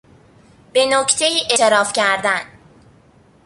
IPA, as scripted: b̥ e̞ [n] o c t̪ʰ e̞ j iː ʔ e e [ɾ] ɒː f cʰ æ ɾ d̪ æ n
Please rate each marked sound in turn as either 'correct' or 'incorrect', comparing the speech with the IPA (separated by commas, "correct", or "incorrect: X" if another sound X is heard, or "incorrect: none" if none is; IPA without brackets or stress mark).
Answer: correct, correct